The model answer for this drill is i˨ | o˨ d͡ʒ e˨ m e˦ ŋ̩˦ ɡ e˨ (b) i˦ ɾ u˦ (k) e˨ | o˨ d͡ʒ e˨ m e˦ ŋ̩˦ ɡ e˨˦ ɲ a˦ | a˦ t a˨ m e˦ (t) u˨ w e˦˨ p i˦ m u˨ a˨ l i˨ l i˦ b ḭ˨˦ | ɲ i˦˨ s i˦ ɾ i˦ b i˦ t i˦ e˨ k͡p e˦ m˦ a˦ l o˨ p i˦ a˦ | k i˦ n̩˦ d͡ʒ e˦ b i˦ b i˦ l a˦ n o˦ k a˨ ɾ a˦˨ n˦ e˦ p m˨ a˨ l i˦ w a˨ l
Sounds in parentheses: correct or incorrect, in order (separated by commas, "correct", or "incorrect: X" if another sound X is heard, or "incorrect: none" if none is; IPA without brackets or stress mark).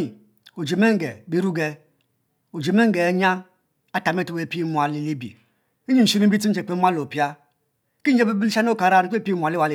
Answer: correct, incorrect: ɡ, correct